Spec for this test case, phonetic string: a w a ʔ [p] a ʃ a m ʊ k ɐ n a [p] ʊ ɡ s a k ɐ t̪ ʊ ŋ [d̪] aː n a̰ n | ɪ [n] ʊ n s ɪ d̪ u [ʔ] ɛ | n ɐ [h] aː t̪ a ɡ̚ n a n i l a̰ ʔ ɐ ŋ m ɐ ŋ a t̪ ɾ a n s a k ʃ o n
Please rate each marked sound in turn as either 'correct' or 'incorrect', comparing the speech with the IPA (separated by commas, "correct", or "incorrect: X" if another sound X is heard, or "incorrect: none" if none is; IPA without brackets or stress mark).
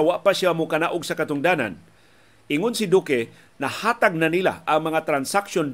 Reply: correct, incorrect: ʔ, correct, incorrect: ŋ, incorrect: k, correct